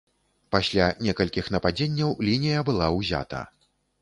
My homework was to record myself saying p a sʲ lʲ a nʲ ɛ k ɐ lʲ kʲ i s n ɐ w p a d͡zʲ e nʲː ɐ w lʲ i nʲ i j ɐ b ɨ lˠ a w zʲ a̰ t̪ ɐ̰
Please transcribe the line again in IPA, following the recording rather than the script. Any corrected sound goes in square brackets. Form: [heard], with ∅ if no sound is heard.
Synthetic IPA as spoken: p a sʲ lʲ a nʲ ɛ k ɐ lʲ kʲ i [x] n ɐ [∅] p a d͡zʲ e nʲː ɐ w lʲ i nʲ i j ɐ b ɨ lˠ a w zʲ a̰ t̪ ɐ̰